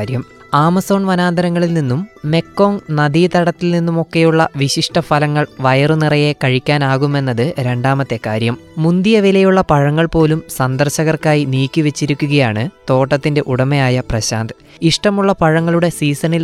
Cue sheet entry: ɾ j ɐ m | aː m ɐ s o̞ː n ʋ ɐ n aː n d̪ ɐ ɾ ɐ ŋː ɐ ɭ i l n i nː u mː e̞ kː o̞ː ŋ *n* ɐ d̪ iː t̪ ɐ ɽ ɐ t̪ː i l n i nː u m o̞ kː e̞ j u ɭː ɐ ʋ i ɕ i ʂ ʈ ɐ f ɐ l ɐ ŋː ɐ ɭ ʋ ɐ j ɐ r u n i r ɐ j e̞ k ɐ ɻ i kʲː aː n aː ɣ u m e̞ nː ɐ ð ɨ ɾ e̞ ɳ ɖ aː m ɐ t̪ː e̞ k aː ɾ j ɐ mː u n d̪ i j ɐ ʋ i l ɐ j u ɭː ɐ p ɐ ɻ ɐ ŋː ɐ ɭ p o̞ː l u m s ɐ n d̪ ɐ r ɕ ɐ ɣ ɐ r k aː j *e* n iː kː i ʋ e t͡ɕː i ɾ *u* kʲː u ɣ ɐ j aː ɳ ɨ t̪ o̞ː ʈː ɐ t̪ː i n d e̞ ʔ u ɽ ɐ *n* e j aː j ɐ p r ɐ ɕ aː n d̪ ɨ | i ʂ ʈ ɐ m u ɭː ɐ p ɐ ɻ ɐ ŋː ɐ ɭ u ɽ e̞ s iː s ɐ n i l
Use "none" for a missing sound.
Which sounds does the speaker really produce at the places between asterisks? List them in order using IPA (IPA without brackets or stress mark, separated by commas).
n, i, u, m